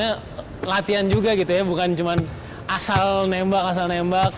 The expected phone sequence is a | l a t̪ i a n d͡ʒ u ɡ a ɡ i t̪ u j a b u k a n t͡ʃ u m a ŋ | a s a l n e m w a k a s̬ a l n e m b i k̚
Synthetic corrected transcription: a | l a t̪ i a n d͡ʒ u ɡ a ɡ i t̪ u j a b u k a n t͡ʃ u m a n | a s a l n e m b a k a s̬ a l n e m b a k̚